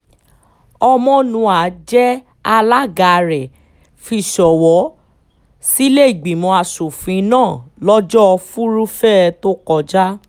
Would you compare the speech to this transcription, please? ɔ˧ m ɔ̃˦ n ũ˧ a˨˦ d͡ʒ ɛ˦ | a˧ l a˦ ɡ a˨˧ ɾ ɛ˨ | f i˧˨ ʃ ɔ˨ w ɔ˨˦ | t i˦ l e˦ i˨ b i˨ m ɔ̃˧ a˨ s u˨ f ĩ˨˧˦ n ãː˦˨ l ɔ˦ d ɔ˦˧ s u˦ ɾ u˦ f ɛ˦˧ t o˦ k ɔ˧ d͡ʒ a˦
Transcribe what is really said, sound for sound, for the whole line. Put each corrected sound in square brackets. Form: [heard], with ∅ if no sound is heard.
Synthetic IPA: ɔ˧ m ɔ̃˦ n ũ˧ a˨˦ d͡ʒ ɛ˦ | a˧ l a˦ ɡ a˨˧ ɾ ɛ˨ | f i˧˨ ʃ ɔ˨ w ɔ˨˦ | [s] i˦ l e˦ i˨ [ɡ͡b] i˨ m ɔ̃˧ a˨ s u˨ f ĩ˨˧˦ n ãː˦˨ l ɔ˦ [d͡ʒ] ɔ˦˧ [f] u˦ ɾ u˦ f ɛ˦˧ t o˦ k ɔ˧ d͡ʒ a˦